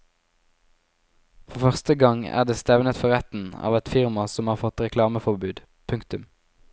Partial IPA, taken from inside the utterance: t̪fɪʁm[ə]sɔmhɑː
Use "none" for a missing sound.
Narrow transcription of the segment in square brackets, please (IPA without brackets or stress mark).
ɑ